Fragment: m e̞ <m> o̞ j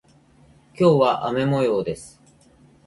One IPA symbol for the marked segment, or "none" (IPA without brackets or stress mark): m